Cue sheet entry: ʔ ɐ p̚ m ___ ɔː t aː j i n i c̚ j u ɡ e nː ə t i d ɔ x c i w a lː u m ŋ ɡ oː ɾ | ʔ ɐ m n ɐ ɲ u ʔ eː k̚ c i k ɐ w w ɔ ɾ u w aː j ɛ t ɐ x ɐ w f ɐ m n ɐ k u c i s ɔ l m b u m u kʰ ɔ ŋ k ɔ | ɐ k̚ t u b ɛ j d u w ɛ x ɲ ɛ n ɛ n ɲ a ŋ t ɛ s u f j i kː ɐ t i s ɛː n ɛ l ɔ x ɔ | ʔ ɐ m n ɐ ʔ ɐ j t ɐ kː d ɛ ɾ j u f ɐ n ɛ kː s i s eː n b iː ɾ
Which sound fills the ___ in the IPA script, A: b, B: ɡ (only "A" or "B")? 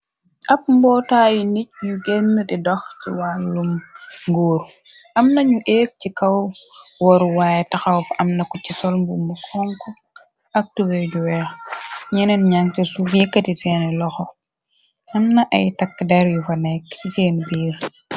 A